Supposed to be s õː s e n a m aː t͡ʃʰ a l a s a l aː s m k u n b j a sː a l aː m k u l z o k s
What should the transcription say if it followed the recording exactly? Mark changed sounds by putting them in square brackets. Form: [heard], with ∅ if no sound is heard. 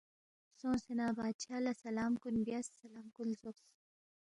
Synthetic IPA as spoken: s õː s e n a [b] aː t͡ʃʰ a l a s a l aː [∅] m k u n b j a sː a l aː m k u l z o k s